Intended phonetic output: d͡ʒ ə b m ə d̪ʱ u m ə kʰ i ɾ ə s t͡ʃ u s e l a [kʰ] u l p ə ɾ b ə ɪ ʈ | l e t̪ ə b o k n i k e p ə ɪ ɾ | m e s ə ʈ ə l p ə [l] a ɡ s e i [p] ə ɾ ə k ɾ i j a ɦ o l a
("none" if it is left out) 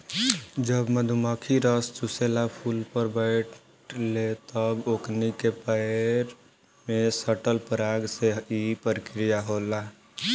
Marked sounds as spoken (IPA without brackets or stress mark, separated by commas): pʰ, ɾ, p